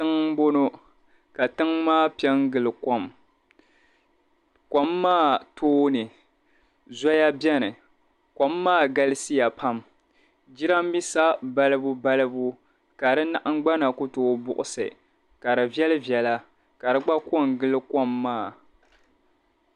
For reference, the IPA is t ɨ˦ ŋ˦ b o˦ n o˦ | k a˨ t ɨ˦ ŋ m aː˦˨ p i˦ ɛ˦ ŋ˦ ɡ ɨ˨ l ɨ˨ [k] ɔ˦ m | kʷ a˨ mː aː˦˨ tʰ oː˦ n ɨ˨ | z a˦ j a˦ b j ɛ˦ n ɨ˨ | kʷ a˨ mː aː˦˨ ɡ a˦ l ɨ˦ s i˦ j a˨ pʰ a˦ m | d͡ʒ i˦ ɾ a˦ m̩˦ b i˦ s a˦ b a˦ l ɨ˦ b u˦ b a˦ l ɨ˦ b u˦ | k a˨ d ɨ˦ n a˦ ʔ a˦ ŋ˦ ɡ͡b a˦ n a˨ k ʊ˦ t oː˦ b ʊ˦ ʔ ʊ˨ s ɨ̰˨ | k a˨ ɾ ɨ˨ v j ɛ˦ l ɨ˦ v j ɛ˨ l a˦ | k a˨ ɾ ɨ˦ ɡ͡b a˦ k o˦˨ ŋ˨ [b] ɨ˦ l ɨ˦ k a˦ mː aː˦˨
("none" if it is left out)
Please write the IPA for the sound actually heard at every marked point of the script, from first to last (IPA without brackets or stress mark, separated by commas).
k, ɡ